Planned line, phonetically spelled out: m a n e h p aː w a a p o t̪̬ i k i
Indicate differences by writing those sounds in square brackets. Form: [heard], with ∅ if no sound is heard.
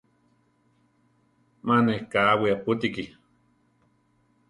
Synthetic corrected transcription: m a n e h [k] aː w [i] a p [u] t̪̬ i k i